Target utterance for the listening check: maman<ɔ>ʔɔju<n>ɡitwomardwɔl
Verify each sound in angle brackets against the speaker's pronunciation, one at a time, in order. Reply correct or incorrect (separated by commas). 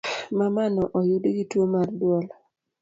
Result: correct, incorrect